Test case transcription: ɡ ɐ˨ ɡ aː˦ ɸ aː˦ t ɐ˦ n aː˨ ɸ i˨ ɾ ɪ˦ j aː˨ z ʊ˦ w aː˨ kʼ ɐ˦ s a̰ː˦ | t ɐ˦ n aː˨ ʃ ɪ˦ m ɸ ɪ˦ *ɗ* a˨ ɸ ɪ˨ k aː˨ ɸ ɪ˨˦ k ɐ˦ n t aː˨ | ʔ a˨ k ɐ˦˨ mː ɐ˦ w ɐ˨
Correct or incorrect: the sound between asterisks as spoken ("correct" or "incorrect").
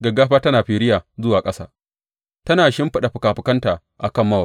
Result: correct